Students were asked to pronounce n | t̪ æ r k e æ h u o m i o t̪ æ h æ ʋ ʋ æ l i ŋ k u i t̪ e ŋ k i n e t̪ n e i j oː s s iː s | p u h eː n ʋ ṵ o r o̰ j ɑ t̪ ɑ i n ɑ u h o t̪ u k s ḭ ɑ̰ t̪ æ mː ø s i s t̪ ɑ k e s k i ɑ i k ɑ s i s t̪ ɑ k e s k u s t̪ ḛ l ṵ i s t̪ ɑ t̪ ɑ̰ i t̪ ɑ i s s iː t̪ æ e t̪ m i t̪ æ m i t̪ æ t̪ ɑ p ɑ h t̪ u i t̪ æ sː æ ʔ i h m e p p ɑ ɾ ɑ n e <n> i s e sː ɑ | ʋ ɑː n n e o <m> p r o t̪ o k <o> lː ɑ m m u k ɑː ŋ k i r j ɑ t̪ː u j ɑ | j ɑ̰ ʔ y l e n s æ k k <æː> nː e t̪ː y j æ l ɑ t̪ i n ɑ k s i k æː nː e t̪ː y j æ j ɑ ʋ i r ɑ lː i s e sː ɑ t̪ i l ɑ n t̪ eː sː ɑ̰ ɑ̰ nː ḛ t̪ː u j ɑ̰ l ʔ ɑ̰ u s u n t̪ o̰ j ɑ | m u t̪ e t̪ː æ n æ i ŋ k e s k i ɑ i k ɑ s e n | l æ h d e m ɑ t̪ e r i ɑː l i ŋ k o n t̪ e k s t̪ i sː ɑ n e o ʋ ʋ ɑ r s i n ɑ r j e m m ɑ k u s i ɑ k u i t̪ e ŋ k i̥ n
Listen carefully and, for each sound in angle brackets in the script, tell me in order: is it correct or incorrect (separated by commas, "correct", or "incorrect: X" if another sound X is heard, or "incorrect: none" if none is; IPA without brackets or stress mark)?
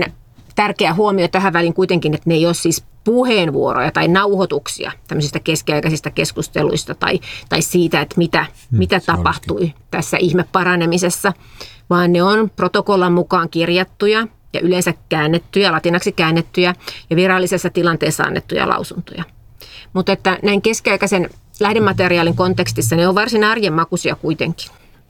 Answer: incorrect: m, incorrect: n, correct, correct